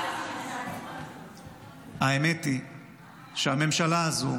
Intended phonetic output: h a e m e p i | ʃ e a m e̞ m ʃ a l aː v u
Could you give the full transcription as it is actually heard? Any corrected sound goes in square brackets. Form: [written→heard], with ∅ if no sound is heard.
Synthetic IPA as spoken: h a e m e [p→t] i | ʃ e a m e̞ m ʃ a l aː [v→z] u